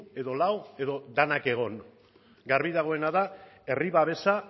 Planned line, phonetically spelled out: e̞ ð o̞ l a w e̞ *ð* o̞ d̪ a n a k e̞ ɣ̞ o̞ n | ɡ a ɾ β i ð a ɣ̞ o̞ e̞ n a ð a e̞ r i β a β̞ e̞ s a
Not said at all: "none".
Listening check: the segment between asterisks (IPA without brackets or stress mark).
ð